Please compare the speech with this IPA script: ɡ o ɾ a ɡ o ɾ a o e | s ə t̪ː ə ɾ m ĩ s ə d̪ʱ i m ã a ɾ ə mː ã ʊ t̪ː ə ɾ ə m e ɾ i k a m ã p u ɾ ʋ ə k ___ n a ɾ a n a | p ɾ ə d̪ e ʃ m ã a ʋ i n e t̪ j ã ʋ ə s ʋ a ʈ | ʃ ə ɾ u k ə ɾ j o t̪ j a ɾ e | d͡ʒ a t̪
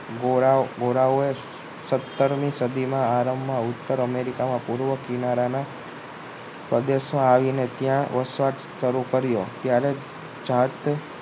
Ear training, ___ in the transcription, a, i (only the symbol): i